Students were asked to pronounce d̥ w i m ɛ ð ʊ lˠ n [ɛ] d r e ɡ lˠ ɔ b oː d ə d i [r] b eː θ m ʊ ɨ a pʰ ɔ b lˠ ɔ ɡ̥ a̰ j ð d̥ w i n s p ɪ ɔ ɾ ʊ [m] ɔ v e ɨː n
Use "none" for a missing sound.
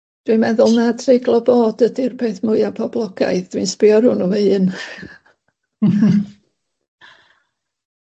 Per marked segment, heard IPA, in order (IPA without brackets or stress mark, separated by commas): a, r, n